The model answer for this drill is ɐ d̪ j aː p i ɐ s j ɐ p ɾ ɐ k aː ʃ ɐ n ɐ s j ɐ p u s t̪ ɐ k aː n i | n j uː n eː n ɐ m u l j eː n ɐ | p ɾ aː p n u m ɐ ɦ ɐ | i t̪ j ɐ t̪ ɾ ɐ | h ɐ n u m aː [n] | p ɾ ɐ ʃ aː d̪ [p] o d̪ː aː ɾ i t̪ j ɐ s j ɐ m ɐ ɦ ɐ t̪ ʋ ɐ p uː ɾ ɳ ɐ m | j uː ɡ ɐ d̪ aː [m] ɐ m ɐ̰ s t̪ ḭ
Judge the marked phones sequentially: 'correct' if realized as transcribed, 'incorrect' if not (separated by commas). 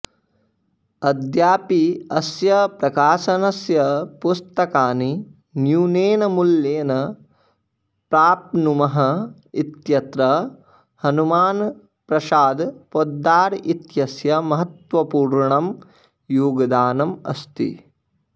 correct, correct, incorrect